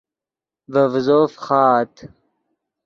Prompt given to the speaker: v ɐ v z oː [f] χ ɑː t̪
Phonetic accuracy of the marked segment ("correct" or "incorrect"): correct